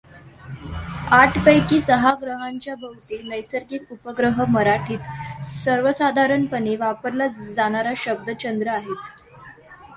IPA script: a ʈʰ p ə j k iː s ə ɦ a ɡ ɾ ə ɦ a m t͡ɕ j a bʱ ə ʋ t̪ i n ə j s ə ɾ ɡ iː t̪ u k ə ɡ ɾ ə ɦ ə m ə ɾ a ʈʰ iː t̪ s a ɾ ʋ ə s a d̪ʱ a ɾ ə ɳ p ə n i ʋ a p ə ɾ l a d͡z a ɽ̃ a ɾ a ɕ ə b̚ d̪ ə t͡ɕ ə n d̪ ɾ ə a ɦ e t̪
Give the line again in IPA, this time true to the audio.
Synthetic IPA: a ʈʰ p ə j k iː s ə ɦ a ɡ ɾ ə ɦ a ɲ t͡ɕ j a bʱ ə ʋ t̪ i n ə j s ə ɾ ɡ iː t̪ u p ə ɡ ɾ ə ɦ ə m ə ɾ a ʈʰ iː t̪ s ə ɾ ʋ ə s a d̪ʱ a ɾ ə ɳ p ə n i ʋ a p ə ɾ l a d͡z a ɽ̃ a ɾ a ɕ ə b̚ d̪ ə t͡ɕ ə n d̪ ɾ ə a ɦ e t̪